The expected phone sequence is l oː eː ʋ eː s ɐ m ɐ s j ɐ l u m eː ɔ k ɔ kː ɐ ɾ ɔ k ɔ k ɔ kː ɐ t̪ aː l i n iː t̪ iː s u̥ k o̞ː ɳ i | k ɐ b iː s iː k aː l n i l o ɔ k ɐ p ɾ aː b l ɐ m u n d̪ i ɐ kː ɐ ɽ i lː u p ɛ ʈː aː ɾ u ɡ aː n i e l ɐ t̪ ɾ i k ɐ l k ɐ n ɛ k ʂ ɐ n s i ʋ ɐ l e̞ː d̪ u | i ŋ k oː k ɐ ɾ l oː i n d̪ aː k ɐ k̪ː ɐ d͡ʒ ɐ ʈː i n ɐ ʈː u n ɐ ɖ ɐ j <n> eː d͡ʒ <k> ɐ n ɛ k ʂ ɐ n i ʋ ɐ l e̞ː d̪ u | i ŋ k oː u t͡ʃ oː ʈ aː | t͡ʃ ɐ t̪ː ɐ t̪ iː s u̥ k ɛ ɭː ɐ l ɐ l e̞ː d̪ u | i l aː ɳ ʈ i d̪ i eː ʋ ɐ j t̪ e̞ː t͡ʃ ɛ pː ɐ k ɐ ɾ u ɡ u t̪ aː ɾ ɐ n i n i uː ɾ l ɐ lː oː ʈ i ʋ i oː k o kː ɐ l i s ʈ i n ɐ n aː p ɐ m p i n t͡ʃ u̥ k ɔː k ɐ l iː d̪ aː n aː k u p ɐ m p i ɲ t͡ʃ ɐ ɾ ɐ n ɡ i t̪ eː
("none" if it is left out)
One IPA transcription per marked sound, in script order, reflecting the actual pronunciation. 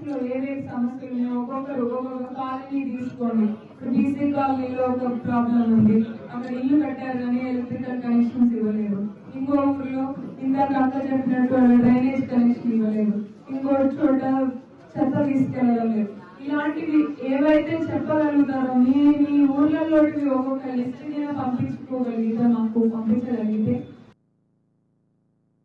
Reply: n, k

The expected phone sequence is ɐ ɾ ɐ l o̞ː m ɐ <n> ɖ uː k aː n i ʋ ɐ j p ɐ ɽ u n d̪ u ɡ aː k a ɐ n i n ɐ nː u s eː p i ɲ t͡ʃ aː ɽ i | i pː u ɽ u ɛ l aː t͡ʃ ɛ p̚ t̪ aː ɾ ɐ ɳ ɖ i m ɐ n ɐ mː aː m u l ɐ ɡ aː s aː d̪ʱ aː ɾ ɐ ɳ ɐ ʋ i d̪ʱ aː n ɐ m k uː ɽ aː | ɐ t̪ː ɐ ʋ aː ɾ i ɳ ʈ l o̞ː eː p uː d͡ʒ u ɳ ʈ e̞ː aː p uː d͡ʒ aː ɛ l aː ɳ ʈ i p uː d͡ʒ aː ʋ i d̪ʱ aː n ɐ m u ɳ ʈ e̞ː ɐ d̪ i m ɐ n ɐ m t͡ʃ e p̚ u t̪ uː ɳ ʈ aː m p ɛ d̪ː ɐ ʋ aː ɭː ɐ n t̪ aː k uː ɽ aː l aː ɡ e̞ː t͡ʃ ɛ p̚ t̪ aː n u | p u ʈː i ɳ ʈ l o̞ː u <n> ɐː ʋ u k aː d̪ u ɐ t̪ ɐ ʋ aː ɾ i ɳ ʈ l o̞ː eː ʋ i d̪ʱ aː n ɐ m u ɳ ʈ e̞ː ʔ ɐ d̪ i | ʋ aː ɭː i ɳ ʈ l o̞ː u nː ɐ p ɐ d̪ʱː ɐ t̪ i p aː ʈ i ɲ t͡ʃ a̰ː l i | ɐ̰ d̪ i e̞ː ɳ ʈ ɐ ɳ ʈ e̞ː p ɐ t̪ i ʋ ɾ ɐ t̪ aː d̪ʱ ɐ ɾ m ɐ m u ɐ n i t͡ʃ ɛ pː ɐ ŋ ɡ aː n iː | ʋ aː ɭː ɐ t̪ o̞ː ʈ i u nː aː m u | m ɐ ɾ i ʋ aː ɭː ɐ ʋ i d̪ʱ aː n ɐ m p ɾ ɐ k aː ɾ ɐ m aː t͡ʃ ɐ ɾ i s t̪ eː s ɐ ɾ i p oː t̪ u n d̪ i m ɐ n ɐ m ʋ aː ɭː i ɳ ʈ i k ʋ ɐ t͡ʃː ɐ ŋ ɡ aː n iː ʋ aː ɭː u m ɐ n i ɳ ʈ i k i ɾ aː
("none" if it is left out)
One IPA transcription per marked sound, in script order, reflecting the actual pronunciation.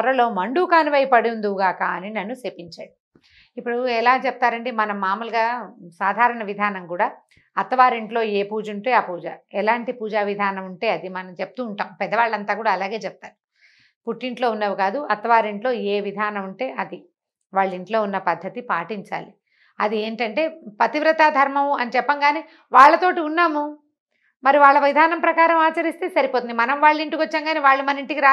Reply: ɳ, nː

